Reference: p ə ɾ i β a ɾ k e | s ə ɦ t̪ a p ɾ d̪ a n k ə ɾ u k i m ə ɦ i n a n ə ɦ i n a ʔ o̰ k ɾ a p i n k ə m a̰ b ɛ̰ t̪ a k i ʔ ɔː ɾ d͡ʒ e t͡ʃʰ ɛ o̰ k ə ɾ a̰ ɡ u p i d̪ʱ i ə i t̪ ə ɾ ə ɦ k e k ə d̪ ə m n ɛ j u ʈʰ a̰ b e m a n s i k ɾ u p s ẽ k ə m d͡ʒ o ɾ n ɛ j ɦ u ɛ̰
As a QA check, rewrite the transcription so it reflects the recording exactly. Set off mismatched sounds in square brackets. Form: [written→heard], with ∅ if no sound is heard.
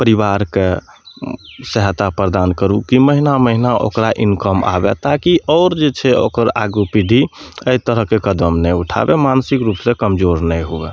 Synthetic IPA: p ə ɾ i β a ɾ k e | s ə ɦ t̪ a p ɾ d̪ a n k ə ɾ u k i m ə ɦ i n a [n→m] ə ɦ i n a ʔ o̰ k ɾ a [p→ʔ] i n k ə m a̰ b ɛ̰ t̪ a k i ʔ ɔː ɾ d͡ʒ e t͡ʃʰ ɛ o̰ k ə ɾ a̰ ɡ u p i d̪ʱ i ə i t̪ ə ɾ ə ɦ k e k ə d̪ ə m n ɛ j u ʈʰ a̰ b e m a n s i k ɾ u p s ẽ k ə m d͡ʒ o ɾ n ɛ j ɦ u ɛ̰